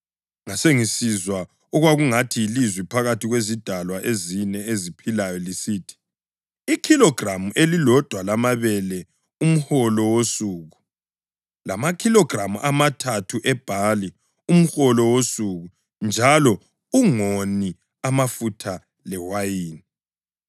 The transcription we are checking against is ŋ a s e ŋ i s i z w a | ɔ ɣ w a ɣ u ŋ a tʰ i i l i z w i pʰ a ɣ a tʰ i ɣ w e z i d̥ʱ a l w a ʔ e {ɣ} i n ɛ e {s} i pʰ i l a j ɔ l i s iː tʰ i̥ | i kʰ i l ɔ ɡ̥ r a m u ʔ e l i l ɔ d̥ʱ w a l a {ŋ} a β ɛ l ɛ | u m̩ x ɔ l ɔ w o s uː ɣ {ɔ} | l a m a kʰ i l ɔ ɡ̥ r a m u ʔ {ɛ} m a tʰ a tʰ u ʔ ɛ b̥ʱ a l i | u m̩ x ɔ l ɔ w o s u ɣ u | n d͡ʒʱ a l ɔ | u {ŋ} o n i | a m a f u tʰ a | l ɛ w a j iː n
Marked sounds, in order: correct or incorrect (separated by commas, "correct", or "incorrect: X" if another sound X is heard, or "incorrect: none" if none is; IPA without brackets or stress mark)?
incorrect: z, incorrect: z, incorrect: m, incorrect: u, incorrect: a, correct